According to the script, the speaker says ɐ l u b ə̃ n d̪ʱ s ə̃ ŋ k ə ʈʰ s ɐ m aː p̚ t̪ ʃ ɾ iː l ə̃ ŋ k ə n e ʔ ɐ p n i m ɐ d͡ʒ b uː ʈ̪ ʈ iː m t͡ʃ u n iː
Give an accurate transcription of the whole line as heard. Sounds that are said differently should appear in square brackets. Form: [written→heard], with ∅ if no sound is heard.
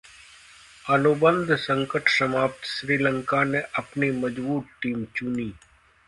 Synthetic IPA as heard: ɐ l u b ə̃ n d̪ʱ s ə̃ ŋ k ə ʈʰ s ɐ m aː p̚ t̪ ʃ ɾ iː l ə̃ ŋ k [ə→a] n e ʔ ɐ p n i m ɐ d͡ʒ b uː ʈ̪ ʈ iː m t͡ʃ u n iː

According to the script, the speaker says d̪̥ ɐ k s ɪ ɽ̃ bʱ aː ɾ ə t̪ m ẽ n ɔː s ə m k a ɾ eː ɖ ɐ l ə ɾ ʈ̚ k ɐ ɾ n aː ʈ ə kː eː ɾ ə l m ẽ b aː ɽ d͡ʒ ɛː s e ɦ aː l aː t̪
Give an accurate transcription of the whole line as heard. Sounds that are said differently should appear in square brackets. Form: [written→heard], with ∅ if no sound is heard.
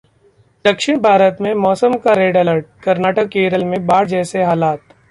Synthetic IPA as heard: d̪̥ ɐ k [s→ʃ] ɪ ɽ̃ bʱ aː ɾ ə t̪ m ẽ [n→m] ɔː s ə m k a ɾ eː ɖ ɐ l ə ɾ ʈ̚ k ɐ ɾ n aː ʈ ə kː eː ɾ ə l m ẽ b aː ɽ d͡ʒ ɛː s e ɦ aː l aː t̪

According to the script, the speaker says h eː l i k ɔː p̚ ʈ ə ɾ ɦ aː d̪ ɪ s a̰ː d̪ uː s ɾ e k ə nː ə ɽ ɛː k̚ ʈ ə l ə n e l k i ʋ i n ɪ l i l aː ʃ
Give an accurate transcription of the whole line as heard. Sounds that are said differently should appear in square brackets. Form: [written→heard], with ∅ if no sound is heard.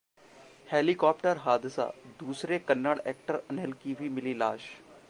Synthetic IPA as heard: h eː l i k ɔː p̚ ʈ ə ɾ ɦ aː d̪ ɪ s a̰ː d̪ uː s ɾ e k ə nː ə ɽ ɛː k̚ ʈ ə [l→ɾ] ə n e l k i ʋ i [n→m] ɪ l i l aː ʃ

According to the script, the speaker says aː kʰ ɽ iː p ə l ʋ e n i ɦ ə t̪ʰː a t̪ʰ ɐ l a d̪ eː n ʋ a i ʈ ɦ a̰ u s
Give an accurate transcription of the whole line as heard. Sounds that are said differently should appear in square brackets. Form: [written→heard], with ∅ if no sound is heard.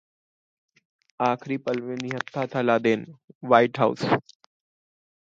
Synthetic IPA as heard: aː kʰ [ɽ→ɾ] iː p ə l ʋ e n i ɦ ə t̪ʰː a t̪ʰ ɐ l a d̪ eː n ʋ a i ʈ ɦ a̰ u s

